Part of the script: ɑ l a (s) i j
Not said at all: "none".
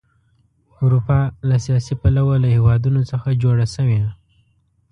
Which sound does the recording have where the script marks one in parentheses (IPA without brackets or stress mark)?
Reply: s